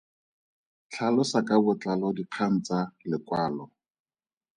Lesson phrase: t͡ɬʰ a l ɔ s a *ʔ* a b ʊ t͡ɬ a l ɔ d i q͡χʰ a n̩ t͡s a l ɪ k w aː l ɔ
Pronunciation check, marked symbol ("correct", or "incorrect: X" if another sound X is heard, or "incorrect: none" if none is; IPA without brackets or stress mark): incorrect: k